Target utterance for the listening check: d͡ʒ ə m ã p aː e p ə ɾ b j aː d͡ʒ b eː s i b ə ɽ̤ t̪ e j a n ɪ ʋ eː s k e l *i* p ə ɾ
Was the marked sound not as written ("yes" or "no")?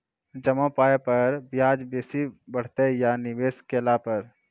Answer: yes